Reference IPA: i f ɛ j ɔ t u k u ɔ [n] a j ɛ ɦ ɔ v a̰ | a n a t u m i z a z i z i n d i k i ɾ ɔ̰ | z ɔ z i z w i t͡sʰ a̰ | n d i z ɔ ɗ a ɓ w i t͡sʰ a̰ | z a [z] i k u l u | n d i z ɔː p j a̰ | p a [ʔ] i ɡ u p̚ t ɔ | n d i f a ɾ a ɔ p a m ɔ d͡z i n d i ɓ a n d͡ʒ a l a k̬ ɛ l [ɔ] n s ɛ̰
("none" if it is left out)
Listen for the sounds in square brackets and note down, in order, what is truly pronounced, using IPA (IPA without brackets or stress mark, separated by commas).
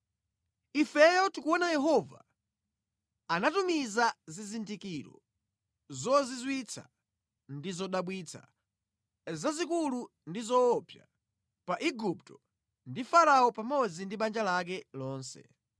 n, z, ʔ, ɔː